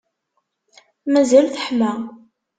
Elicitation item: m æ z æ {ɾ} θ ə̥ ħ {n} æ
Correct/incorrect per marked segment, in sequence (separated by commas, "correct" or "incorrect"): incorrect, incorrect